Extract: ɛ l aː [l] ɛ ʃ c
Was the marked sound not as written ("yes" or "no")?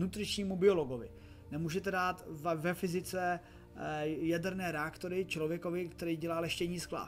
no